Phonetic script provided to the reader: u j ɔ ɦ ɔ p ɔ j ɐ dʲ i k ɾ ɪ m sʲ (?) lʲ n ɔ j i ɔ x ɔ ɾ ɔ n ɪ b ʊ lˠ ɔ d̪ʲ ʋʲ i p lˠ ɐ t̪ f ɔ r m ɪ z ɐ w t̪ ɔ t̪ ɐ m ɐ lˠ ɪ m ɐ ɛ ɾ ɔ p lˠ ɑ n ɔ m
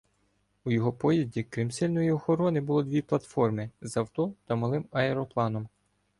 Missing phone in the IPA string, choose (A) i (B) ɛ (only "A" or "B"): B